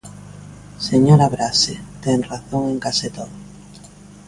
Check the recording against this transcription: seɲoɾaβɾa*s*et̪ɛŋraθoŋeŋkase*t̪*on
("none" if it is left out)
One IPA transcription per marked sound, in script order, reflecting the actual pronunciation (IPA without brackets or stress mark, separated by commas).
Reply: s, t̪